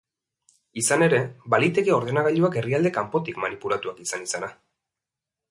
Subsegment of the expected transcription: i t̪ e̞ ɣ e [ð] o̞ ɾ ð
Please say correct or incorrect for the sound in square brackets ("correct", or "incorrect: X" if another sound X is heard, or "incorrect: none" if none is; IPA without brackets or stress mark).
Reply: incorrect: none